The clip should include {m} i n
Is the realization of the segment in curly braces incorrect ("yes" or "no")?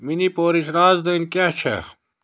no